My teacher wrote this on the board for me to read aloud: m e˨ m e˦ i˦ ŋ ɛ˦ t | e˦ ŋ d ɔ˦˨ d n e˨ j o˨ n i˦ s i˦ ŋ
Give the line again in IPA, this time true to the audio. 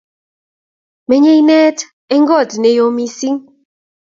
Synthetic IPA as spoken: m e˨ ɲ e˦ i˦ n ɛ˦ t | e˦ ŋ ɡ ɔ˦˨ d n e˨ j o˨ m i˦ s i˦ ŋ